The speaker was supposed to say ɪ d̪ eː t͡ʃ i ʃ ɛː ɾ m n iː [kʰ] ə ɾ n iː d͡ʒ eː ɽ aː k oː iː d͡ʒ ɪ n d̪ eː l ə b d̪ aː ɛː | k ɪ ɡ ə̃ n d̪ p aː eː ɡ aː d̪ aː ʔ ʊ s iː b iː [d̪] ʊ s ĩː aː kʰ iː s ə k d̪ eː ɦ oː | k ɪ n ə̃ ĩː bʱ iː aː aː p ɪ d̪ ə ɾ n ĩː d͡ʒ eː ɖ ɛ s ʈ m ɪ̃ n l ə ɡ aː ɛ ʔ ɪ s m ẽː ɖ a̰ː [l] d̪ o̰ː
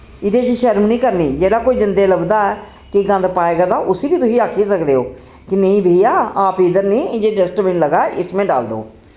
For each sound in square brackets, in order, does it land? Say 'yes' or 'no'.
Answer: no, no, yes

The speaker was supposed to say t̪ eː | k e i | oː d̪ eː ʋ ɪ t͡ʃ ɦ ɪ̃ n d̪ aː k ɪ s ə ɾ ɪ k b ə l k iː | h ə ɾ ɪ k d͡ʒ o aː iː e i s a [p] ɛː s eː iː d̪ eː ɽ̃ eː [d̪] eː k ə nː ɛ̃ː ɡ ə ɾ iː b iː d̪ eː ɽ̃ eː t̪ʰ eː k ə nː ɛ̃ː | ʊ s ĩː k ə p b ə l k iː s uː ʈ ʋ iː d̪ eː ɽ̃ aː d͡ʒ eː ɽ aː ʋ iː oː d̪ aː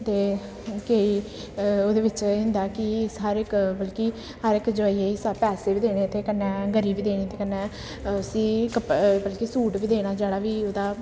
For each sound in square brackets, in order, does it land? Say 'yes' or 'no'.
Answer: yes, no

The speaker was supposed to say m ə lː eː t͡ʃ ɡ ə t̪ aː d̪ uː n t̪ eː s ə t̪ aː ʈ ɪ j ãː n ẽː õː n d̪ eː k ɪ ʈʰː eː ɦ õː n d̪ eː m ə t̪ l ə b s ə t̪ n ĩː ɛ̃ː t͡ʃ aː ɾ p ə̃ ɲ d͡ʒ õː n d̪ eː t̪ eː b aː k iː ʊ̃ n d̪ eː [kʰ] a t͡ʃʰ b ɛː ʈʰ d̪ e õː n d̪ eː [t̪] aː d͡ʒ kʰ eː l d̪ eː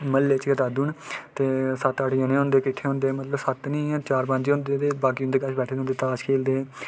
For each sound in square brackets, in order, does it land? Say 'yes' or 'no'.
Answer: no, yes

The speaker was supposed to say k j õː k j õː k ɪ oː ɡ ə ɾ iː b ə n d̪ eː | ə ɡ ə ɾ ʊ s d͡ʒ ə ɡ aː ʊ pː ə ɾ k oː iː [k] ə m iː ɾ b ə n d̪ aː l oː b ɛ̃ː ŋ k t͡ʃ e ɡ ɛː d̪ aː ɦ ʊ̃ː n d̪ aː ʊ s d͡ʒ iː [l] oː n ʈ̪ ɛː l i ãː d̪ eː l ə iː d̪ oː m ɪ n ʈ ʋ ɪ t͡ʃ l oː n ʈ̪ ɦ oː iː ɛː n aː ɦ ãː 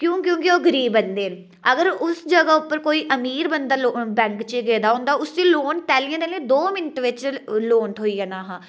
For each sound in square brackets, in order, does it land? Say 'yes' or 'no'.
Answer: no, yes

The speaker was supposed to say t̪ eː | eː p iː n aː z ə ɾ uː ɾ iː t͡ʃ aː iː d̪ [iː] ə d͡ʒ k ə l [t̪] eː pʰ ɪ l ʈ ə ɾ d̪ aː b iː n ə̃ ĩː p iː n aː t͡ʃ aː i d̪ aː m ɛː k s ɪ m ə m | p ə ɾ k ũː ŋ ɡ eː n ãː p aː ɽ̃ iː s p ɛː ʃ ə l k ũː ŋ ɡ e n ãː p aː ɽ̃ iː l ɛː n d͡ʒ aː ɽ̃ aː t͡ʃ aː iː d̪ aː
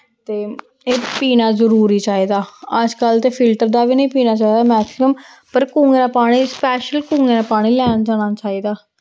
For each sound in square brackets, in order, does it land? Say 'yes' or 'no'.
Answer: no, yes

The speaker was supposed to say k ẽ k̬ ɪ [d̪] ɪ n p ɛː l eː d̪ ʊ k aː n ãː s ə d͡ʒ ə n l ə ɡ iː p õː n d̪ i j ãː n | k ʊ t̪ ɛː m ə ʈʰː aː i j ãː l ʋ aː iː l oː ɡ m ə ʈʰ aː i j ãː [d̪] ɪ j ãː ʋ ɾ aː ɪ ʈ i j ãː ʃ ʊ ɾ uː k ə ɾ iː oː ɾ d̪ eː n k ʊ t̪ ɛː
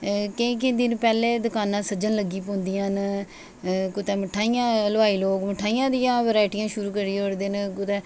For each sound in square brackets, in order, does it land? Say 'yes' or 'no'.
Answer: yes, yes

